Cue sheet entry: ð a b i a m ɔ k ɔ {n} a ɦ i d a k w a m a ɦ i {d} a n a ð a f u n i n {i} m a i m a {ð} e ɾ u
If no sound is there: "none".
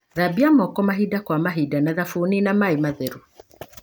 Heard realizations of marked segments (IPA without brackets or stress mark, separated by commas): m, d, a, ð